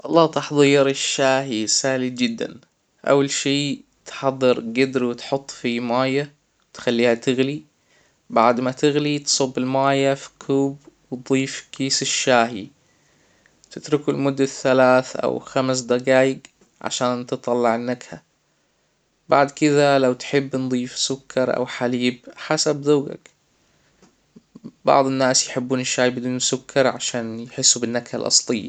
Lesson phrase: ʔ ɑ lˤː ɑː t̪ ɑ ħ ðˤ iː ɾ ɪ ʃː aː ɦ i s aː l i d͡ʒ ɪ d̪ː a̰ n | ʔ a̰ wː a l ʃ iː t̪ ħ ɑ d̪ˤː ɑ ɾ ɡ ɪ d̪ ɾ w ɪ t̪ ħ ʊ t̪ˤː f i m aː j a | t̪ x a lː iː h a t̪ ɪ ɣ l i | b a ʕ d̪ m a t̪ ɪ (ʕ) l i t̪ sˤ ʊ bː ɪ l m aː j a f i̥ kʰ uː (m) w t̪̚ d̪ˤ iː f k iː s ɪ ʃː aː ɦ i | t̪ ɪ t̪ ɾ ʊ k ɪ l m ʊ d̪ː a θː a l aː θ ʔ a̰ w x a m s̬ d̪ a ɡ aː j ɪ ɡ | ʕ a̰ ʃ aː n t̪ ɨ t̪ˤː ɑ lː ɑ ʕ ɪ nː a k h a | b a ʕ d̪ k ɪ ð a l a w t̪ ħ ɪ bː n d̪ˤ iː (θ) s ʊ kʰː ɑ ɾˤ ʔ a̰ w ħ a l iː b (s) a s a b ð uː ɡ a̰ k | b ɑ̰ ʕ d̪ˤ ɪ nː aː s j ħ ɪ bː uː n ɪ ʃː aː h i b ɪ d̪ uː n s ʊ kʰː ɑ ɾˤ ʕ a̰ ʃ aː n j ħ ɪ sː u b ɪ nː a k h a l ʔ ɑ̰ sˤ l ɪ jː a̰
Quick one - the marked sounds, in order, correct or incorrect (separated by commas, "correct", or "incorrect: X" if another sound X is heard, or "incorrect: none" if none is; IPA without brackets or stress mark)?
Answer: incorrect: ɣ, incorrect: b, incorrect: f, incorrect: ħ